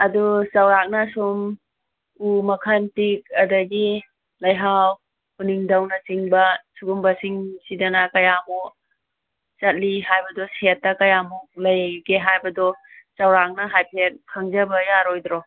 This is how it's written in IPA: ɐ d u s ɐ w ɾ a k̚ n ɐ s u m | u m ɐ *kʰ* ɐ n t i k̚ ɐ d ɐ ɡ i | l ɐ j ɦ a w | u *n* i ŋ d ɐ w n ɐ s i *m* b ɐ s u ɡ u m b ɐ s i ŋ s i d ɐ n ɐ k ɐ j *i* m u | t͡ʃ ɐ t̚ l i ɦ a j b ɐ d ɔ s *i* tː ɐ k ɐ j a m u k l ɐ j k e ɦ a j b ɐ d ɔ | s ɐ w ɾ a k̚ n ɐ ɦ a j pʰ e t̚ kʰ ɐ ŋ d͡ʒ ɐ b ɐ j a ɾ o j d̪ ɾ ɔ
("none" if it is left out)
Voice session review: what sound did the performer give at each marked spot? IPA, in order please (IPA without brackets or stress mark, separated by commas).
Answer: kʰ, n, ŋ, a, e